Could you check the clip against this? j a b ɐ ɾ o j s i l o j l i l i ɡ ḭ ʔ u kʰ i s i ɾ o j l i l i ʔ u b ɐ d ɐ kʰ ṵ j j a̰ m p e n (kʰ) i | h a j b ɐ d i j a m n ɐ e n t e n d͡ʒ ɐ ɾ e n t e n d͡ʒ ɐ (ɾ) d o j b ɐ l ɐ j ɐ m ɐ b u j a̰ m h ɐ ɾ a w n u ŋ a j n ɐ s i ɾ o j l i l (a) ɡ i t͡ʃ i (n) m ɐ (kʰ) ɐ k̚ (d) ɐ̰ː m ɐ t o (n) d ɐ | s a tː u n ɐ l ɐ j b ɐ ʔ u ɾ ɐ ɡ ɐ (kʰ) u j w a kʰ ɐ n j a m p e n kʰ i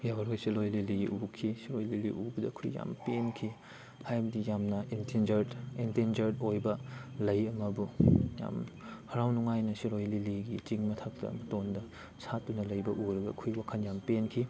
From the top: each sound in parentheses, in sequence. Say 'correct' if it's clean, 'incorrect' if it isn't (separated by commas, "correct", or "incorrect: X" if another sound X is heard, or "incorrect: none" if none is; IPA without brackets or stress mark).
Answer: correct, correct, incorrect: i, incorrect: ŋ, incorrect: tʰ, incorrect: t, correct, correct